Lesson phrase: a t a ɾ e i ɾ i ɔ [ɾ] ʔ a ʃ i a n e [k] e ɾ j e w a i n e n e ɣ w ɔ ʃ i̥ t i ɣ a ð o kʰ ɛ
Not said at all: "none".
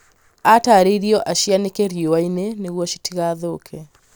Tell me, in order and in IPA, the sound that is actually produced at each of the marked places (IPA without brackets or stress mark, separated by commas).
none, k